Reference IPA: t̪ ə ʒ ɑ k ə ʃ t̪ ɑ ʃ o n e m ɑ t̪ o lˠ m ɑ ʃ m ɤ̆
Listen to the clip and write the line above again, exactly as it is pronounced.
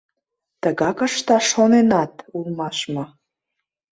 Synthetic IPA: t̪ ə ɣ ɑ k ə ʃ t̪ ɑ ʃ o n e n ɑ t̪ u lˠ m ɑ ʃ m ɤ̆